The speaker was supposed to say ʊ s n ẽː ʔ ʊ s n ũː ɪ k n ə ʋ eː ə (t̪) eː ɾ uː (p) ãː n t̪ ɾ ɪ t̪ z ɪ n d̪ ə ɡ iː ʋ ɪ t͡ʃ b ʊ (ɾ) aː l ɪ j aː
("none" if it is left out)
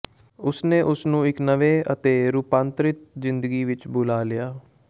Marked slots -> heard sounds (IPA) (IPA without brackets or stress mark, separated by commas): t̪, p, l